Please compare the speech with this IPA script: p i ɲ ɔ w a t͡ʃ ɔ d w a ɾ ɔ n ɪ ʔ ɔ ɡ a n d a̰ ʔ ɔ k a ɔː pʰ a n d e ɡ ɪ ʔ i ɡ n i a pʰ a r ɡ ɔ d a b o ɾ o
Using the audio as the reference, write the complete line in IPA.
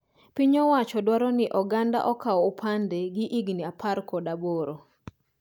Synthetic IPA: p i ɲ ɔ w a t͡ʃ ɔ d w a ɾ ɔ n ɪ ʔ ɔ ɡ a n d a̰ ʔ ɔ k a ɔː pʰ a n d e ɡ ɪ ʔ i ɡ n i a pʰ a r k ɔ d a b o ɾ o